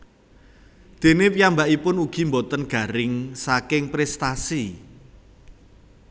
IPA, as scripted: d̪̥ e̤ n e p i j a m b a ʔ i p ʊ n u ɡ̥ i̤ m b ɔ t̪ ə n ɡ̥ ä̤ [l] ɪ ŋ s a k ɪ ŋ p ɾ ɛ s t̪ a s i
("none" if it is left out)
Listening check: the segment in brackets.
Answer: ɾ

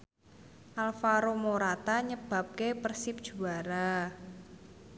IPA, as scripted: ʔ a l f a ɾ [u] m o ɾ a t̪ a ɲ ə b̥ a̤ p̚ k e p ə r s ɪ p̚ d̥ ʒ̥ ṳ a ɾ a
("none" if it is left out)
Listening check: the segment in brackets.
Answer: o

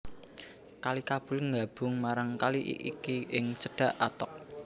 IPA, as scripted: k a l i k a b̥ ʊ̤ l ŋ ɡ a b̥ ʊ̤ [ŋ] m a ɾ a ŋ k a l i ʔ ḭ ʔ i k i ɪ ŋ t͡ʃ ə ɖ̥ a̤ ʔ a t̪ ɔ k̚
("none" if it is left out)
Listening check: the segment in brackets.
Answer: ŋ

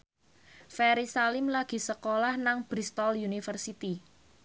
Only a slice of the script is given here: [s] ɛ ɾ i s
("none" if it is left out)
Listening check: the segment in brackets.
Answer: f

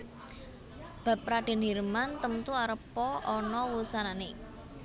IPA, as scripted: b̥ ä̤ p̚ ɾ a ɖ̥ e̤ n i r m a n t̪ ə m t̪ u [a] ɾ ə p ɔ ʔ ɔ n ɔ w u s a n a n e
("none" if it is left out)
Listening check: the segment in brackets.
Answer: a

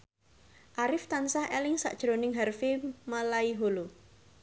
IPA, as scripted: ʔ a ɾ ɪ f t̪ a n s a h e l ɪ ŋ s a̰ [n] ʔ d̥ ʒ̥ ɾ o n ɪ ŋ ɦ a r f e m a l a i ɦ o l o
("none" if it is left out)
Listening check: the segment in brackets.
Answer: none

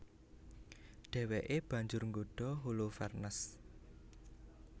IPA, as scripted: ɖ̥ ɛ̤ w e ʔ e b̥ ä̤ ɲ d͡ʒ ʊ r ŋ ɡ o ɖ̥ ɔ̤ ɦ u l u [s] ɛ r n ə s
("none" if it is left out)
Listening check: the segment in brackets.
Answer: f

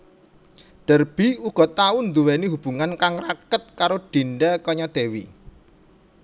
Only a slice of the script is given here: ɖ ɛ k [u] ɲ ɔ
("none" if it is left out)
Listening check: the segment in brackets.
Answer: ɔ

